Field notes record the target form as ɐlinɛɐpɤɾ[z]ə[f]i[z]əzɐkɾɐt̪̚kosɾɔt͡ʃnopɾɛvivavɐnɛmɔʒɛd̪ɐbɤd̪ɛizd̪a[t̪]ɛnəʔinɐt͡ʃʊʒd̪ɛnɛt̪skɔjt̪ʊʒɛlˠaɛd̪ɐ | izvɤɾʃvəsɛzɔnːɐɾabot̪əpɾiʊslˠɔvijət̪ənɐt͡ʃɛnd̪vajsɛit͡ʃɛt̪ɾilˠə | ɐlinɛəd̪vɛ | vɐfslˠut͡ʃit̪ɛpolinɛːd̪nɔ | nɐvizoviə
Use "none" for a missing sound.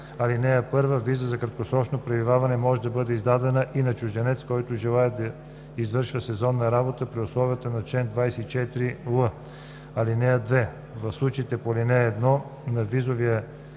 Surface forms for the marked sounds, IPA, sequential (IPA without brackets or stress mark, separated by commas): v, v, z, d̪